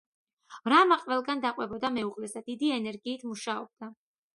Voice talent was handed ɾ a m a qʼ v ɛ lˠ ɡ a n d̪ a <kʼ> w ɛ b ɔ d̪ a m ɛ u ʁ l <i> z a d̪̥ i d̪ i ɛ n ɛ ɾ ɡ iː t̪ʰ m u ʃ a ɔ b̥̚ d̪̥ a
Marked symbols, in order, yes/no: no, no

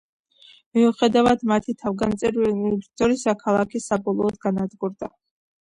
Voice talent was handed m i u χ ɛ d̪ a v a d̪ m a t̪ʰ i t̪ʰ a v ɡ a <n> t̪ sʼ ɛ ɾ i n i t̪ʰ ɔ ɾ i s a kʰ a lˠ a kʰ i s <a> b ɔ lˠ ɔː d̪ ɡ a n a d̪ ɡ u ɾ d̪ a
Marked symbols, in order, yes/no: yes, yes

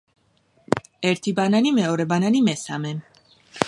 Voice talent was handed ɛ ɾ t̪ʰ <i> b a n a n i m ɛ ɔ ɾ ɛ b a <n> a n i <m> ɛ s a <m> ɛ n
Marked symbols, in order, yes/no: yes, yes, yes, yes

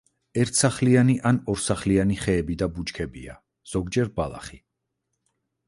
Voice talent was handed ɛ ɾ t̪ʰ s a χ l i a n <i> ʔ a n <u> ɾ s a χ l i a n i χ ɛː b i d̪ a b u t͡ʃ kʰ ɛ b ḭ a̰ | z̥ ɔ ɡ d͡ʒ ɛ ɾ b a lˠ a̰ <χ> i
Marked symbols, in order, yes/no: yes, no, yes

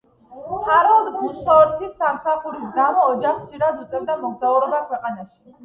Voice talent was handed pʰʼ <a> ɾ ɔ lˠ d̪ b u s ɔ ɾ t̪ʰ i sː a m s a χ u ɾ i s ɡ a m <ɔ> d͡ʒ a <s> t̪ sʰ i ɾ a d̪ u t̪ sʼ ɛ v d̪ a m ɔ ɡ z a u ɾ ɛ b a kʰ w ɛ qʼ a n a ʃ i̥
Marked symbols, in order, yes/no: yes, no, no

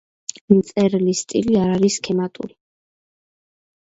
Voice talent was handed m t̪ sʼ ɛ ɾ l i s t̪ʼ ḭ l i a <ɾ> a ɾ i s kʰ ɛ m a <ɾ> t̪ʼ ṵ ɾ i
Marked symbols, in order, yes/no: yes, no

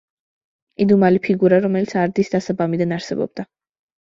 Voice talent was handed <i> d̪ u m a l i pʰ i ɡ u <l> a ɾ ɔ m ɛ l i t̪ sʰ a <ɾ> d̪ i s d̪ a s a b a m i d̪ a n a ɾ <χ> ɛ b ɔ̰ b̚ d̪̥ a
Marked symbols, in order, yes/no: yes, no, yes, no

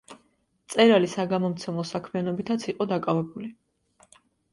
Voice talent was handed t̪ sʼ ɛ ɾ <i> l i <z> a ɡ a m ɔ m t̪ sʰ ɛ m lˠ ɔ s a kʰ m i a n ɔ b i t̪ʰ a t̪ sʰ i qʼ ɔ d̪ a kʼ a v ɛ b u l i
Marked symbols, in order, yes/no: no, no

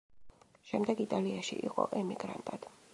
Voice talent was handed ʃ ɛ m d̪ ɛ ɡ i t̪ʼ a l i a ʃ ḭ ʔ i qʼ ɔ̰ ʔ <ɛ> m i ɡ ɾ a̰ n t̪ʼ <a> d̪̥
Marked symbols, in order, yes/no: yes, yes

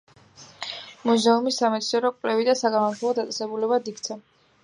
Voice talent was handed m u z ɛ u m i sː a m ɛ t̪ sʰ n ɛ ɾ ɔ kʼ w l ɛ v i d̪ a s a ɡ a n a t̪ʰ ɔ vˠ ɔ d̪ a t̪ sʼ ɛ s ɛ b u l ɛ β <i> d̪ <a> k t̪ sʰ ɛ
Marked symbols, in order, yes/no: no, no

